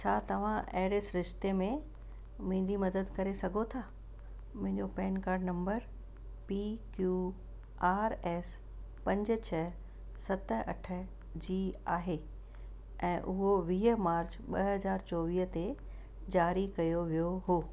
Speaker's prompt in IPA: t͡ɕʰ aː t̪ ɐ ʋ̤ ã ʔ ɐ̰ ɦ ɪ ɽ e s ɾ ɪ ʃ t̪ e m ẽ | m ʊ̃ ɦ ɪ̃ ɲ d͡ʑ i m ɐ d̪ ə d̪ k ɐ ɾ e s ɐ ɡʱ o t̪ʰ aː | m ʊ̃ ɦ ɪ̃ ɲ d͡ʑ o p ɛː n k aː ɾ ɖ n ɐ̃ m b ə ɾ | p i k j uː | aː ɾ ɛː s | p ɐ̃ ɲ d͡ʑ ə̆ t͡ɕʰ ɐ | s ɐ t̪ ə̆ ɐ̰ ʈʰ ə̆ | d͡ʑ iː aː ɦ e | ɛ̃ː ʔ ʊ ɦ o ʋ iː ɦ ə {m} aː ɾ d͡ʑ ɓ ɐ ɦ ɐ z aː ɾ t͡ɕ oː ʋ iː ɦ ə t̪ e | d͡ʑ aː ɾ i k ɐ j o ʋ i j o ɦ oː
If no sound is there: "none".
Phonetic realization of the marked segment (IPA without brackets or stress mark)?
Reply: m